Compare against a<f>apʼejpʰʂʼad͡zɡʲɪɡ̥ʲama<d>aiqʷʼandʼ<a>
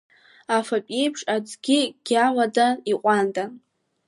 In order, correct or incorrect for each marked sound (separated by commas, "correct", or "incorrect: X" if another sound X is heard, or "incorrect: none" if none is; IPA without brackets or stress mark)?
correct, correct, correct